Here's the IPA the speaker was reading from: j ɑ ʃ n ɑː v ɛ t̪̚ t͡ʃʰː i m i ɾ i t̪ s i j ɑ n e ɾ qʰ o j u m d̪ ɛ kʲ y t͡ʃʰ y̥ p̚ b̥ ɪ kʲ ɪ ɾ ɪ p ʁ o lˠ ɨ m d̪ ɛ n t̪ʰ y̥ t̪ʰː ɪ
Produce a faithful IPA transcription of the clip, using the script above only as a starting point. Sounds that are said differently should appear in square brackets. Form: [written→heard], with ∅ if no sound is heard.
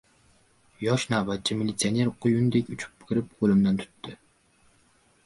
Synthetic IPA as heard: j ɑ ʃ n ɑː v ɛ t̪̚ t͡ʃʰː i m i [ɾ→l] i t̪ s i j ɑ n e ɾ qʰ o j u [m→n] d̪ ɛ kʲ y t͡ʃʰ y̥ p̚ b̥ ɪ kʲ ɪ ɾ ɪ p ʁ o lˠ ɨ m d̪ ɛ n t̪ʰ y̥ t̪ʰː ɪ